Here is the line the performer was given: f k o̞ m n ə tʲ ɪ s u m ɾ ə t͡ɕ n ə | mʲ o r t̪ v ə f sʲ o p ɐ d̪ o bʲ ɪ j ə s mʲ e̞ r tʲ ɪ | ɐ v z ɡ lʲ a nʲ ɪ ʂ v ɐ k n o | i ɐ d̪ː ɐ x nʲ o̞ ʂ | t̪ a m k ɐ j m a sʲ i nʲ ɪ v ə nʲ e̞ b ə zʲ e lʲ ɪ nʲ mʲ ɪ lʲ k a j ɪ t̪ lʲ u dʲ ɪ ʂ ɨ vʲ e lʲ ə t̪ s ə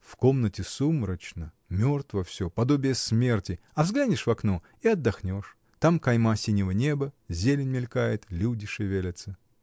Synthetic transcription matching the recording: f k o̞ m n ə tʲ ɪ s u m ɾ ə t͡ɕ n ə | mʲ o r t̪ v ə f sʲ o p ɐ d̪ o bʲ ɪ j ə s mʲ e̞ r tʲ ɪ | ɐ v z ɡ lʲ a nʲ ɪ ʂ v ɐ k n o | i ɐ d̪ː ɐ x nʲ o̞ ʂ | t̪ a m k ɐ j m a sʲ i nʲ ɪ v ə nʲ e̞ b ə zʲ e lʲ ɪ nʲ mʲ ɪ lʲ k a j ɪ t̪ lʲ u dʲ ɪ ʂ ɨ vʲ e lʲ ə t̪ s ə